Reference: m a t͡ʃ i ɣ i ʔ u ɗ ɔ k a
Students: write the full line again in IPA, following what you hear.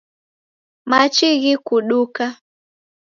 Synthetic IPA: m a t͡ʃ i ɣ i k u ɗ u k a